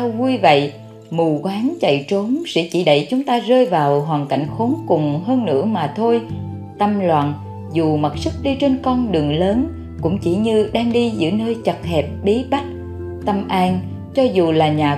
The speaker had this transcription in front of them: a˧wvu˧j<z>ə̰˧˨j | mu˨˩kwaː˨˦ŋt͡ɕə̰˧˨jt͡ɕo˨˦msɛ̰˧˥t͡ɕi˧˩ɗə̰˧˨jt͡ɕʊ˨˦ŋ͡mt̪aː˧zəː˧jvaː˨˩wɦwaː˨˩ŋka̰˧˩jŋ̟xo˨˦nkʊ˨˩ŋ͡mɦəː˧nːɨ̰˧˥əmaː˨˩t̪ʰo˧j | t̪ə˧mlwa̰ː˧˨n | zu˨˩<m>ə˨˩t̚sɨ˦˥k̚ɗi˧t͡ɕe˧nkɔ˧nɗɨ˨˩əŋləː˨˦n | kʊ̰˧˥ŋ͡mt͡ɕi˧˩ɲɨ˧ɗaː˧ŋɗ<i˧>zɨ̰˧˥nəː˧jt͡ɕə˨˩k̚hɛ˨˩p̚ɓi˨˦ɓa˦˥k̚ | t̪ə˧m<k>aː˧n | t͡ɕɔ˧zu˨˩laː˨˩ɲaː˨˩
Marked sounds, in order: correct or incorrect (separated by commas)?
incorrect, correct, correct, incorrect